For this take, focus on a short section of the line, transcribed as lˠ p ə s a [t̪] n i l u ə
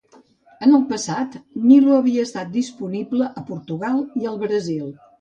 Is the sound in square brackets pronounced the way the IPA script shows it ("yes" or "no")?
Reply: yes